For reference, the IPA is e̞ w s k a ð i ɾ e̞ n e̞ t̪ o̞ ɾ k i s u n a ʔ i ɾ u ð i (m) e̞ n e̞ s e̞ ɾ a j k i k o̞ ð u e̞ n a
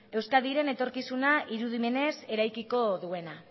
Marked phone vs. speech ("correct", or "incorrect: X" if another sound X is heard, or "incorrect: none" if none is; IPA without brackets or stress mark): correct